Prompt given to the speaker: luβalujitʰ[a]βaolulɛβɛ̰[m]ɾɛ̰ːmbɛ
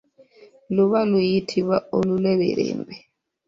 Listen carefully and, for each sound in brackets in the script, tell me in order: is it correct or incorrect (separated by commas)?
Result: incorrect, incorrect